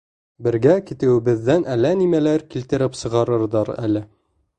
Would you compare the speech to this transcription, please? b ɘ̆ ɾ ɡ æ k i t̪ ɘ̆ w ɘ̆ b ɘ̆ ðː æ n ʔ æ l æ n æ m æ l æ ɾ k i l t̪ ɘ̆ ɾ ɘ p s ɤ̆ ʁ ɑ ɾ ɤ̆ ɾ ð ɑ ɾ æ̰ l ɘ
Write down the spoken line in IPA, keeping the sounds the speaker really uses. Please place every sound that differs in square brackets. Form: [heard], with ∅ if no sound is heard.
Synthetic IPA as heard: b ɘ̆ ɾ ɡ æ k i t̪ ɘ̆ w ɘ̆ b ɘ̆ ðː æ n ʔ æ l æ n [i] m æ l æ ɾ k i l t̪ ɘ̆ ɾ ɘ p s ɤ̆ ʁ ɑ ɾ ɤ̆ ɾ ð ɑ ɾ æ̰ l ɘ